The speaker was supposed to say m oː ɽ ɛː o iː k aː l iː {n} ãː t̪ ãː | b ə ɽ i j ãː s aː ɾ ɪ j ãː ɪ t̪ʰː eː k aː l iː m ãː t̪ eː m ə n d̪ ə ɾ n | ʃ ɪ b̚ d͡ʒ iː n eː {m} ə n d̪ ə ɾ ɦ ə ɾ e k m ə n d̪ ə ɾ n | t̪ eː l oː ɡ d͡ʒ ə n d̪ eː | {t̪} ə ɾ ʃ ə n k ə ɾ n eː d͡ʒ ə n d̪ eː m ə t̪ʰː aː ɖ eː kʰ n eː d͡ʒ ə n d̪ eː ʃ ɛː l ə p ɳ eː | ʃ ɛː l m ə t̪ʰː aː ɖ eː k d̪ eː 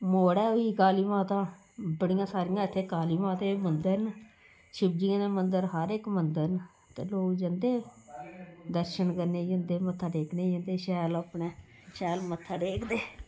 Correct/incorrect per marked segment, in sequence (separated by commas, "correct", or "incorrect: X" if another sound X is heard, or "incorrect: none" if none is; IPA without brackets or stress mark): incorrect: m, correct, incorrect: d̪